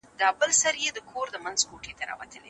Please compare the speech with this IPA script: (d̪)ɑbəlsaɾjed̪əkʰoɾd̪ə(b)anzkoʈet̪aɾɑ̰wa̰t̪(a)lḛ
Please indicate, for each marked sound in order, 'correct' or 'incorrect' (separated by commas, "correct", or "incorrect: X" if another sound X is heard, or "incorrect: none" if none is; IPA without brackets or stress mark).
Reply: correct, incorrect: m, incorrect: ə